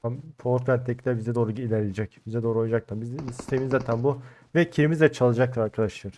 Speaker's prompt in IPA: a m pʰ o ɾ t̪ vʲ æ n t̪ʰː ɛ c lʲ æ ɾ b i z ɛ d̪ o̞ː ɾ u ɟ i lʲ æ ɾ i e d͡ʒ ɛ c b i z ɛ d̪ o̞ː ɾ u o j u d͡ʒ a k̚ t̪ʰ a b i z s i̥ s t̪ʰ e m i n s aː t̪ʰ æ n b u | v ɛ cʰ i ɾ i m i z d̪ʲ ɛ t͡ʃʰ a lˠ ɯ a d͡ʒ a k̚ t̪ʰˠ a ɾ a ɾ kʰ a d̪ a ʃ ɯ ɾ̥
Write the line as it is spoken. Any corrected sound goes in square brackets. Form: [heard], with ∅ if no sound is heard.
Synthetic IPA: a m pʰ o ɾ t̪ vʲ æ n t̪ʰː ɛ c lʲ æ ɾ b i z ɛ d̪ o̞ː ɾ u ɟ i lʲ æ ɾ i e d͡ʒ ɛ c b i z ɛ d̪ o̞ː ɾ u o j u d͡ʒ a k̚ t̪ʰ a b i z s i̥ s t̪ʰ e m i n [z] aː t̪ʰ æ n b u | v ɛ cʰ i ɾ i m i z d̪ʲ ɛ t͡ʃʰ a lˠ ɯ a d͡ʒ a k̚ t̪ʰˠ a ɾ a ɾ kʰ a d̪ a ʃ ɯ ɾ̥